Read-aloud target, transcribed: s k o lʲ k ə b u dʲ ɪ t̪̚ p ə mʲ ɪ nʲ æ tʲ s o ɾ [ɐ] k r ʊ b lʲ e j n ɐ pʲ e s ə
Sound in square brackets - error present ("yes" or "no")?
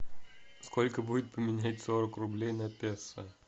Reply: yes